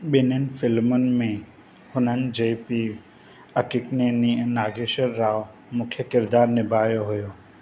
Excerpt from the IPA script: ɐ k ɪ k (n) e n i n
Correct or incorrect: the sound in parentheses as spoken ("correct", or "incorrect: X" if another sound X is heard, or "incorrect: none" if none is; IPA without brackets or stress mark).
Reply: correct